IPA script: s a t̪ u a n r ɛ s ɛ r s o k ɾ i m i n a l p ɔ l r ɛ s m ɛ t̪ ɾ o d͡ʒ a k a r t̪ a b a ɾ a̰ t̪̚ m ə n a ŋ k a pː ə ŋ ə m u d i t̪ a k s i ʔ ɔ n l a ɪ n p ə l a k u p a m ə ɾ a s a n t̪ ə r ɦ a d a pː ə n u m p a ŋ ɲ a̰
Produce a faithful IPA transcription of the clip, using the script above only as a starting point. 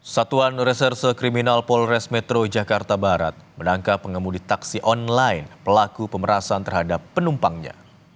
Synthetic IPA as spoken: s a t̪ u a n r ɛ s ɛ r s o k ɾ i m i n a l p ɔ l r ɛ s m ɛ t̪ ɾ o d͡ʒ a k a r t̪ a b a ɾ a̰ t̪̚ m ə n a ŋ k a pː ə ŋ ə m u d i t̪ a k s i ʔ ɔ n l a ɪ n p ə l a k u p ə m ə ɾ a s a n t̪ ə r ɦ a d a pː ə n u m p a ŋ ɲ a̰